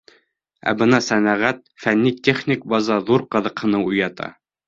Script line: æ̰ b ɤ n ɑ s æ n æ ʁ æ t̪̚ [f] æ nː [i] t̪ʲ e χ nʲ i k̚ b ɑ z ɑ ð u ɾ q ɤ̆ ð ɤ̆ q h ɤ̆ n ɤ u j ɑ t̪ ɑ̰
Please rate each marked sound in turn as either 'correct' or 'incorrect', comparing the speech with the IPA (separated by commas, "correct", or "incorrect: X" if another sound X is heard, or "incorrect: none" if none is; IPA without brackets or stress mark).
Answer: correct, correct